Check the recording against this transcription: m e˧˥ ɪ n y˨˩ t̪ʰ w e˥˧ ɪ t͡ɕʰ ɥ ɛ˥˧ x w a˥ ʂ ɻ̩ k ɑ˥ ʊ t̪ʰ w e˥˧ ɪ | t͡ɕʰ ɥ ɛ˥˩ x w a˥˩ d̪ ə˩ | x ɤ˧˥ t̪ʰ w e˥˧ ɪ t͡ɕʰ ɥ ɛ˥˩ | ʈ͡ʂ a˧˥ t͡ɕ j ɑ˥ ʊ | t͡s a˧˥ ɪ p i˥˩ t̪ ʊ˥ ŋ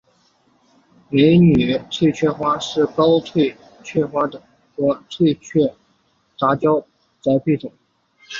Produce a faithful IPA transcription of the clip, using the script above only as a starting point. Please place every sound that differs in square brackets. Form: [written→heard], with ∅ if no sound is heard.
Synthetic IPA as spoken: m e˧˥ ɪ n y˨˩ t̪ʰ w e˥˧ ɪ t͡ɕʰ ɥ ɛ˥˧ x w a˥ ʂ ɻ̩ k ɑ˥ ʊ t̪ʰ w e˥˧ ɪ | t͡ɕʰ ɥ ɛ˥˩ x w [a˥˩→a˥] d̪ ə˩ | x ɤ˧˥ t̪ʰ w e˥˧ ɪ t͡ɕʰ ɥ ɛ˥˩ | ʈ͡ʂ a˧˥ t͡ɕ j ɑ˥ ʊ | t͡s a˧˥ ɪ p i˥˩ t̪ [ʊ˥→ʊ˨˩˦] ŋ